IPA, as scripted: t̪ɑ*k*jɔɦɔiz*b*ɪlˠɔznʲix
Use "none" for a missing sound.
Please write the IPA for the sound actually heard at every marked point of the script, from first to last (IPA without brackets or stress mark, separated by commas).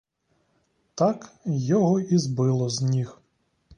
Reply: k, b